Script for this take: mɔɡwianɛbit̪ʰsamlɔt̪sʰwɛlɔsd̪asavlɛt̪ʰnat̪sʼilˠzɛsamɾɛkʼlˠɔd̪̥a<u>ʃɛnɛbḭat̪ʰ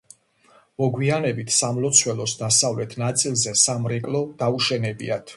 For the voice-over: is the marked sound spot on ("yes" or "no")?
yes